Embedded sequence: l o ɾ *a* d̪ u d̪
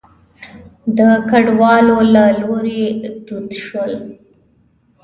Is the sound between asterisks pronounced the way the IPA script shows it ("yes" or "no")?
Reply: no